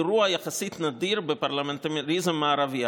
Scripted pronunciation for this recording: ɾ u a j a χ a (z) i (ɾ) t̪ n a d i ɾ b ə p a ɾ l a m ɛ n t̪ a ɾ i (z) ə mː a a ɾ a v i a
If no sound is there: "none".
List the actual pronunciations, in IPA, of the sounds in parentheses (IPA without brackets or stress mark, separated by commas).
s, none, z